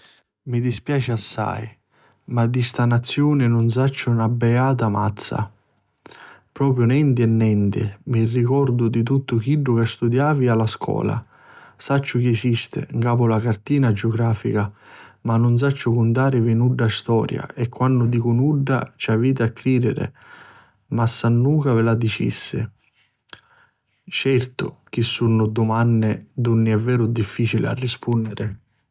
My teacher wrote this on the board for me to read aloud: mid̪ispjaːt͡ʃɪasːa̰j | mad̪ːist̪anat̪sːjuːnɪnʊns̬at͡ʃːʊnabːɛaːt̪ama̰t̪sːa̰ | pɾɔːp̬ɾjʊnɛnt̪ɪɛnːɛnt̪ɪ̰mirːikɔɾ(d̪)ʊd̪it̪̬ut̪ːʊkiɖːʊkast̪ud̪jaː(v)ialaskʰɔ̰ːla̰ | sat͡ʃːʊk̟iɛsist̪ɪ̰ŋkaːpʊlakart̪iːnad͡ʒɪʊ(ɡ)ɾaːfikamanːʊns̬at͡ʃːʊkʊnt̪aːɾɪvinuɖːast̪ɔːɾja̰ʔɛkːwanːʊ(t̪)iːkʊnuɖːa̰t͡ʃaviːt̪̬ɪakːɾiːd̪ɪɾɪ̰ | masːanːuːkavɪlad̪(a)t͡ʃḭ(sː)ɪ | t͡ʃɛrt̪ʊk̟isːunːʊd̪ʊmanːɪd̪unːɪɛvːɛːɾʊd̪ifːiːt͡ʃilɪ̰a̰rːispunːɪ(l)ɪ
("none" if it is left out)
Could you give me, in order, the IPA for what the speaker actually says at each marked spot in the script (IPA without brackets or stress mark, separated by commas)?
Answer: d̪, v, ɡ, d̪, i, sː, ɾ